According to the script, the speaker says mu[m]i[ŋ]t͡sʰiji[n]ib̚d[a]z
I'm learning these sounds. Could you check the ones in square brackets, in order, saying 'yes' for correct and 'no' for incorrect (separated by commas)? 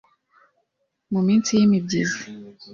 yes, no, no, no